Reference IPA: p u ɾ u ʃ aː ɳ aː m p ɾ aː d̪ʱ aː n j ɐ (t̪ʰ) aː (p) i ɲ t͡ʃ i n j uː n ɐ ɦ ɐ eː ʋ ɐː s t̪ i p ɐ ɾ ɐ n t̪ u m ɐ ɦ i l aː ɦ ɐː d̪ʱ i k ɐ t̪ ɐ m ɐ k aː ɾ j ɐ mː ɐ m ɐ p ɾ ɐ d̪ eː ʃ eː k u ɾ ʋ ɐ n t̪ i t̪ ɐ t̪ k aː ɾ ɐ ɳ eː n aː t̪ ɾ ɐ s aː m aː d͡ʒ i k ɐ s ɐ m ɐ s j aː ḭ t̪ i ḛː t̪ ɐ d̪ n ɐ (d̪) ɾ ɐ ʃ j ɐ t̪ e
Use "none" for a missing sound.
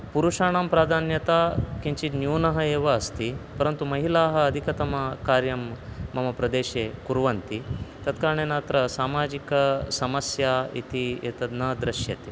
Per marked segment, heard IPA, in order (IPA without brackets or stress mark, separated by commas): t̪, k, d̪